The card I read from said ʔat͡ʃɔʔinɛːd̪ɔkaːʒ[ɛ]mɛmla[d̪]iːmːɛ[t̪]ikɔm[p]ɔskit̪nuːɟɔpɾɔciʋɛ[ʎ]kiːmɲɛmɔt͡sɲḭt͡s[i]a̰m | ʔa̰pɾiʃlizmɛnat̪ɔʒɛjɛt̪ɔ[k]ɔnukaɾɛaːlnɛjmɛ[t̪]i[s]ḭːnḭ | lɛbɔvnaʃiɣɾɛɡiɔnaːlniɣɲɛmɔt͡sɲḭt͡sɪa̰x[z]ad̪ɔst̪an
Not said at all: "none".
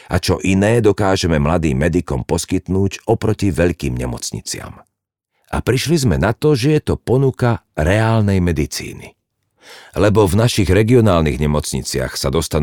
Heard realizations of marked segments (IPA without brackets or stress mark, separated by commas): ɛ, d̪, d̪, p, ʎ, ɪ, p, d̪, t͡s, s